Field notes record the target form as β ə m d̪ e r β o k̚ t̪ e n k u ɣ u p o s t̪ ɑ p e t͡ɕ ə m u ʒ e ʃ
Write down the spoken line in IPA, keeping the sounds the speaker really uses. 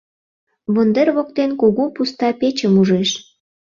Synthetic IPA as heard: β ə n d̪ e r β o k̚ t̪ e n k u ɣ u p u s t̪ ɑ p e t͡ɕ ə m u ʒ e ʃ